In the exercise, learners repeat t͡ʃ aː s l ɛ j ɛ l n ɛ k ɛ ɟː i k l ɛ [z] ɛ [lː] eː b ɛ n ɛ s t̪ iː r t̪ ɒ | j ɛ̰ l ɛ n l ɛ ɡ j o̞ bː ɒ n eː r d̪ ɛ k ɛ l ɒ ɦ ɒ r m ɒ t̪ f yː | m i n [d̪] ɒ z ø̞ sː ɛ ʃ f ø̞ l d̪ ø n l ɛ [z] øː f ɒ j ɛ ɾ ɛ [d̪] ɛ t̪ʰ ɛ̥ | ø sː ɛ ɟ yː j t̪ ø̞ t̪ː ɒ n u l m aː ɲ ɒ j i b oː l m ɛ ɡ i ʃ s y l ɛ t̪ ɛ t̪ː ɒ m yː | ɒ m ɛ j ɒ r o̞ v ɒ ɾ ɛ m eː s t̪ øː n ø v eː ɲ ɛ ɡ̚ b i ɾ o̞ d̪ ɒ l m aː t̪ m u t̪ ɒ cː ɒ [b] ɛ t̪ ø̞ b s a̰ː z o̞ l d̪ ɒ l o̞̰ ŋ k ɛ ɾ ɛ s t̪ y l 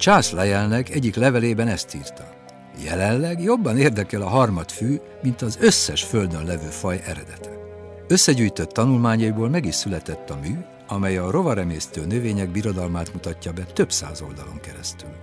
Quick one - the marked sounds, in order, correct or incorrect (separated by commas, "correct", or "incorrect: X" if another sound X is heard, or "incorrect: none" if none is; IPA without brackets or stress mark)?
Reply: incorrect: v, incorrect: l, incorrect: t̪, incorrect: v, correct, correct